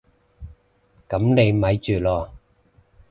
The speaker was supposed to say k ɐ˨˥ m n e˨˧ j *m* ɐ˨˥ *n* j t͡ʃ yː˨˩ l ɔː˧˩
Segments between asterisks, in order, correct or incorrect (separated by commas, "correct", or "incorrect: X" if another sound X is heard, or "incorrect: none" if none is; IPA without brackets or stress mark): correct, incorrect: none